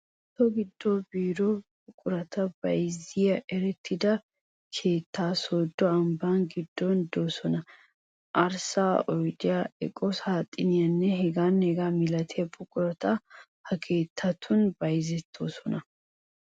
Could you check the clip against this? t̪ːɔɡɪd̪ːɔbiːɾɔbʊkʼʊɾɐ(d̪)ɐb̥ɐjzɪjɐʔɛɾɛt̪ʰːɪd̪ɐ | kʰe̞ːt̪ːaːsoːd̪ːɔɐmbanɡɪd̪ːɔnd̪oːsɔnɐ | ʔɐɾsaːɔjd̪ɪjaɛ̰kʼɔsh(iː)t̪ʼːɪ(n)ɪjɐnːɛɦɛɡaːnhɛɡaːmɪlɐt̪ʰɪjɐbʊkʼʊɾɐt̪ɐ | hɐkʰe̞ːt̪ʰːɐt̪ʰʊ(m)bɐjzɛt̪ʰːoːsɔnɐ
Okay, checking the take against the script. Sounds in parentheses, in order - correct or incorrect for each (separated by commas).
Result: incorrect, incorrect, correct, incorrect